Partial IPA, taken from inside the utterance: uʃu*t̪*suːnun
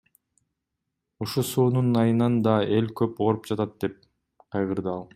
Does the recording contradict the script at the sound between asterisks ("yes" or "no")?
yes